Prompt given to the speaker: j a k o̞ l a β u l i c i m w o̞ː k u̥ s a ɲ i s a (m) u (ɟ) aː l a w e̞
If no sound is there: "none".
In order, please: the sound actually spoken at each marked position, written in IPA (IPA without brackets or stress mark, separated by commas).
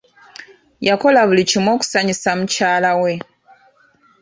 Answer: m, c